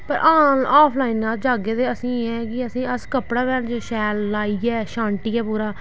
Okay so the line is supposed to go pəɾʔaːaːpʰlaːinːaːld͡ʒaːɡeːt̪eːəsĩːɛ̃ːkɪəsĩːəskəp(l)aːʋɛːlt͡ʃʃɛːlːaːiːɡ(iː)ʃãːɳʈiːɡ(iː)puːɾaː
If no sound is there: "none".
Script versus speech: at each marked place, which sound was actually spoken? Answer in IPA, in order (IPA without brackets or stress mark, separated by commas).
ɽ, ɛː, ɛː